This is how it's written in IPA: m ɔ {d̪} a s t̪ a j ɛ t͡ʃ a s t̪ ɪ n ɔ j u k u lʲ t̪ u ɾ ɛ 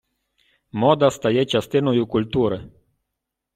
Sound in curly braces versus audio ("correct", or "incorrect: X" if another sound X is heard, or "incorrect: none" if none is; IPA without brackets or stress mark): correct